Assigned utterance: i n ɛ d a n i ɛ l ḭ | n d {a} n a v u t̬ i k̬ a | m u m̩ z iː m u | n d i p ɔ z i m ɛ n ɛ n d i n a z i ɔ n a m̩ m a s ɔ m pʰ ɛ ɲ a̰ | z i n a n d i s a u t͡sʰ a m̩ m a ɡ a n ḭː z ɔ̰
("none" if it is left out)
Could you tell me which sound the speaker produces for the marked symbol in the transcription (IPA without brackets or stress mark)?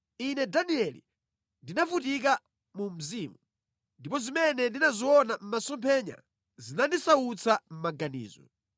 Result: i